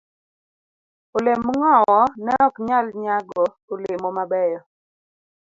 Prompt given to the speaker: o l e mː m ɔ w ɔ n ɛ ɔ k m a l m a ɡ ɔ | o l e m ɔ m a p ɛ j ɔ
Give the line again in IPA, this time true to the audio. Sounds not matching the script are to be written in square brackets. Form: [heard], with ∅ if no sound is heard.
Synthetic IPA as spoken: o l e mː [ŋ] ɔ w ɔ n ɛ ɔ k [ɲ] a l [ɲ] a ɡ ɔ | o l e m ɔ m a [b] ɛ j ɔ